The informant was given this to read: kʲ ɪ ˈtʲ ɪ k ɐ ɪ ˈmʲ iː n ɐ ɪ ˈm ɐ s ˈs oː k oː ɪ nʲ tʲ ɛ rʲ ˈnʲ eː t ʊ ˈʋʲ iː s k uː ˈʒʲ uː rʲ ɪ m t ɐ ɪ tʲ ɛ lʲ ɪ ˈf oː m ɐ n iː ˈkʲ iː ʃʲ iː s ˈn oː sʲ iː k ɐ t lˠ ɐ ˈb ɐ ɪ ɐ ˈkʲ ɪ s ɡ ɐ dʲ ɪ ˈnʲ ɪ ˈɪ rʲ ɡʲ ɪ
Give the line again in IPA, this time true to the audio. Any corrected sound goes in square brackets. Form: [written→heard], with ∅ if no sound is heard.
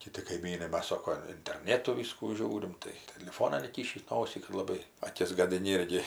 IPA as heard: kʲ ɪ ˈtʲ ɪ k ɐ ɪ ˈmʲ iː n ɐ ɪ ˈm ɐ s ˈs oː k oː ɪ nʲ tʲ ɛ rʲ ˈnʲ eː t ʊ ˈʋʲ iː s k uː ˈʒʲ uː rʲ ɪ m t ɐ ɪ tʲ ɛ lʲ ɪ ˈf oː [m→n] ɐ n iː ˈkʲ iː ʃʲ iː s ˈn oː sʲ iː k ɐ t lˠ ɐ ˈb ɐ ɪ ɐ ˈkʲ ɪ s ɡ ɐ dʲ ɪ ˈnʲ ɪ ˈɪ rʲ ɡʲ ɪ

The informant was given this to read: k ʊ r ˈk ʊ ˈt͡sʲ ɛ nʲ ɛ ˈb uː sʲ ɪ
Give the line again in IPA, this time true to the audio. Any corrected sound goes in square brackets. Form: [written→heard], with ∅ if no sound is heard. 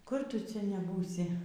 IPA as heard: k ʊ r [ˈk→ˈt] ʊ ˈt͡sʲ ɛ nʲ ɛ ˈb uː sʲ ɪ

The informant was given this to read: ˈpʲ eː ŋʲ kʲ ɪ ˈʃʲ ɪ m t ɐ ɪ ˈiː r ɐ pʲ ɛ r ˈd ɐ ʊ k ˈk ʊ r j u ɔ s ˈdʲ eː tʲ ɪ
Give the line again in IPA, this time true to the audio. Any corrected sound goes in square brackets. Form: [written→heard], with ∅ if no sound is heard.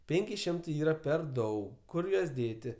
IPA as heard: ˈpʲ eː ŋʲ kʲ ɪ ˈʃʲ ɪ m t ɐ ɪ ˈiː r ɐ pʲ ɛ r ˈd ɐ ʊ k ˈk ʊ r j u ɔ s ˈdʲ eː tʲ ɪ

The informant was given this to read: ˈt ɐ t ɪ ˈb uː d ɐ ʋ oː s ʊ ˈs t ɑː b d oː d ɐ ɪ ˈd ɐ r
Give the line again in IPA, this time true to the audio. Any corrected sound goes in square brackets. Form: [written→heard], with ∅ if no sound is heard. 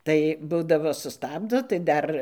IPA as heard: ˈt ɐ [t→∅] ɪ ˈb uː d ɐ ʋ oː s ʊ ˈs t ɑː b d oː [d→t] ɐ ɪ ˈd ɐ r

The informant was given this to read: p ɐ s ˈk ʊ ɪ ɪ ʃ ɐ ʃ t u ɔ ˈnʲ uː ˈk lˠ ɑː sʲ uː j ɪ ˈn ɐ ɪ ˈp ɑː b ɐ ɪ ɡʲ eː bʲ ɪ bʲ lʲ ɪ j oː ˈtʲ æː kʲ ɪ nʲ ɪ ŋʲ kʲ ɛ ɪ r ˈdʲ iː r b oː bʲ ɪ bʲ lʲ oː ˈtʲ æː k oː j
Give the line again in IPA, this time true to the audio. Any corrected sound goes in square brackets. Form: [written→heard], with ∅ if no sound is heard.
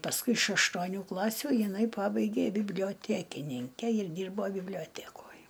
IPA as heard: p ɐ s ˈk ʊ ɪ ɪ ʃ ɐ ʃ t u ɔ ˈnʲ uː ˈk lˠ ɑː sʲ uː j ɪ ˈn ɐ ɪ ˈp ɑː b ɐ ɪ ɡʲ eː bʲ ɪ bʲ lʲ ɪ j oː ˈtʲ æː kʲ ɪ nʲ ɪ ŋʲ kʲ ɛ ɪ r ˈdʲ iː r b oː bʲ ɪ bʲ lʲ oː ˈtʲ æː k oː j

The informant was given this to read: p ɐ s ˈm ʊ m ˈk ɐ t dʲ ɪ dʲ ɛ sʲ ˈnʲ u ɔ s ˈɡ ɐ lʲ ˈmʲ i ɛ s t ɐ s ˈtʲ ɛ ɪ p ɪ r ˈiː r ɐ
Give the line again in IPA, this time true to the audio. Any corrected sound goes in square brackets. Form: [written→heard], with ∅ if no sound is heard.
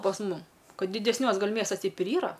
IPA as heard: p ɐ s ˈm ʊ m ˈk ɐ t dʲ ɪ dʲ ɛ sʲ ˈnʲ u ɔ s ˈɡ ɐ lʲ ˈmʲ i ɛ s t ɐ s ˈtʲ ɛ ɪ p ɪ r ˈiː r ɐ

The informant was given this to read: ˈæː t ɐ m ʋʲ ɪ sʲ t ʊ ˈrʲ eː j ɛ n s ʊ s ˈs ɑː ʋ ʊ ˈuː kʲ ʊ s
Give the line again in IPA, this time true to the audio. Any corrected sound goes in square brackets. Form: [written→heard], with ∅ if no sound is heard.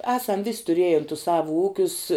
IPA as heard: ˈæː [t→s] ɐ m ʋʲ ɪ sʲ t ʊ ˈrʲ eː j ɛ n [s→t] ʊ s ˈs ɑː ʋ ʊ ˈuː kʲ ʊ s

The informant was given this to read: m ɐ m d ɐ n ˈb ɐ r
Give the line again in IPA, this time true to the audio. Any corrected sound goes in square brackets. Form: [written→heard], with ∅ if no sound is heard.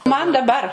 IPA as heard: m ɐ [m→n] d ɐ [n→∅] ˈb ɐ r

